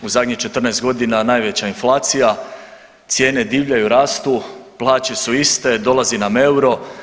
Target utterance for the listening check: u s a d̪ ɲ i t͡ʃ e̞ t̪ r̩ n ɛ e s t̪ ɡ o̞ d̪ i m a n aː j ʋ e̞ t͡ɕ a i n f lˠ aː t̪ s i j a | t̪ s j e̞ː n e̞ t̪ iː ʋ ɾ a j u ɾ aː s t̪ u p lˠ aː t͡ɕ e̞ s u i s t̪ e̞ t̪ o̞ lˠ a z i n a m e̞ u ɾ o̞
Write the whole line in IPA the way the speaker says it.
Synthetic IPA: u z a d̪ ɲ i t͡ʃ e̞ t̪ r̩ n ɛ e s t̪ ɡ o̞ d̪ i n a n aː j ʋ e̞ t͡ɕ a i n f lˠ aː t̪ s i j a | t̪ s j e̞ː n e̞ d̪ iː ʋ ʎ a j u ɾ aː s t̪ u p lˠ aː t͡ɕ e̞ s u i s t̪ e̞ d̪ o̞ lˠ a z i n a m e̞ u ɾ o̞